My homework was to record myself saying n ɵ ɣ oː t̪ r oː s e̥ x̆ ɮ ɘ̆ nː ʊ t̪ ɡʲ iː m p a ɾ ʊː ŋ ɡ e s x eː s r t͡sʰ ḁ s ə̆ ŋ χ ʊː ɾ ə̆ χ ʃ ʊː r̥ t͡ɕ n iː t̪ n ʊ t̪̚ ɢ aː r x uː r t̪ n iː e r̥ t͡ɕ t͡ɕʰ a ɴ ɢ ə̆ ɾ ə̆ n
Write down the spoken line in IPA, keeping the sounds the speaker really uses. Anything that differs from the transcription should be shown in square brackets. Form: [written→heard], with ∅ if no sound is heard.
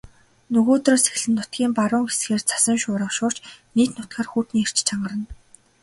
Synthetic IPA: n ɵ ɣ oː t̪ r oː s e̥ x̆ ɮ ɘ̆ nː ʊ t̪ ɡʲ iː m p a ɾ ʊː ŋ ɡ e s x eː [s→∅] r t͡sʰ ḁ s ə̆ ŋ [χ→ʃ] ʊː ɾ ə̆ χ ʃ ʊː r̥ t͡ɕ n iː t̪ n ʊ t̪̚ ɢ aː r x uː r t̪ n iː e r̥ t͡ɕ t͡ɕʰ a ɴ ɢ ə̆ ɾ ə̆ n